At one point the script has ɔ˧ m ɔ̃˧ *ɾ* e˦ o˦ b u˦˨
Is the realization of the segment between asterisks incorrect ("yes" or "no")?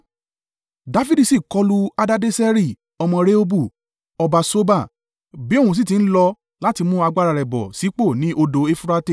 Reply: no